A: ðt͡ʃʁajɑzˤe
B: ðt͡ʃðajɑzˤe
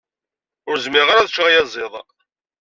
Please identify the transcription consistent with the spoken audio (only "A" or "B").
A